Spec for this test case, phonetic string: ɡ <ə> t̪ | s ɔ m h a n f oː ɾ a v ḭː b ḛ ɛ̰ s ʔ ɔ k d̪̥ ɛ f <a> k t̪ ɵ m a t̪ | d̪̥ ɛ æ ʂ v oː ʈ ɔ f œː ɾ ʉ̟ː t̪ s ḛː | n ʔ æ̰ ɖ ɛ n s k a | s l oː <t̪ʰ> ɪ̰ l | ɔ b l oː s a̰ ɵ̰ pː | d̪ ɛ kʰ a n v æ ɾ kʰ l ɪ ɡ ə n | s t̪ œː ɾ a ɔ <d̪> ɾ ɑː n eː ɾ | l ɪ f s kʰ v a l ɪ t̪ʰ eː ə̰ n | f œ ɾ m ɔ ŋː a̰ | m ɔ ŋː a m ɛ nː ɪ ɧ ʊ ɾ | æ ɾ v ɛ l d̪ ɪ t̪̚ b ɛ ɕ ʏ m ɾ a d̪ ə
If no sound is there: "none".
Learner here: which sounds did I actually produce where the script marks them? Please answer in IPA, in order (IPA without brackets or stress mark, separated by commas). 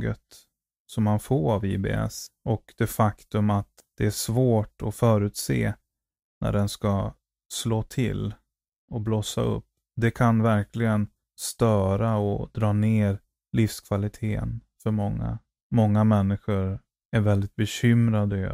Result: ə, a, t̪ʰ, d̪